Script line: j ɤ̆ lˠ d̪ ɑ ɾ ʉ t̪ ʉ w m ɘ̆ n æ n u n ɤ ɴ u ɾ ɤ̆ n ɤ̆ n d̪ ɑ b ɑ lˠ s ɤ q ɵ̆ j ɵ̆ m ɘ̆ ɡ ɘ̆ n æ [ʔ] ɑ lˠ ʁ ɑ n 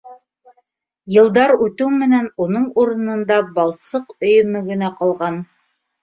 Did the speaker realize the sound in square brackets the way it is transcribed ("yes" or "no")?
no